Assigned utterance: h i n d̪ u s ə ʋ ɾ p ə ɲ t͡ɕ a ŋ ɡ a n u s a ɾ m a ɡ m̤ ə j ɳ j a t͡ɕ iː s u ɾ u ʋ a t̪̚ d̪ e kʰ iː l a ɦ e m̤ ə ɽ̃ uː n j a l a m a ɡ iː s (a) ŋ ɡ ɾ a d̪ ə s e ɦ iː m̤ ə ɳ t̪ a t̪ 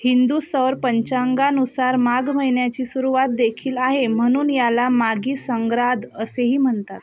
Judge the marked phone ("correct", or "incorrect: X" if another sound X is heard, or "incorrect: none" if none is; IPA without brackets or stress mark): incorrect: ə